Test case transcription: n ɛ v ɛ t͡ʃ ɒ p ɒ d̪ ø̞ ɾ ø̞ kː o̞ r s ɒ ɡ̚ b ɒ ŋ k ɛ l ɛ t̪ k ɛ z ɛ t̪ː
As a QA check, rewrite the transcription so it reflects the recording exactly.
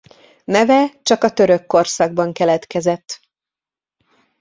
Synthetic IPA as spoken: n ɛ v ɛ t͡ʃ ɒ k ɒ t̪ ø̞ ɾ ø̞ kː o̞ r s ɒ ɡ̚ b ɒ ŋ k ɛ l ɛ t̪ k ɛ z ɛ t̪ː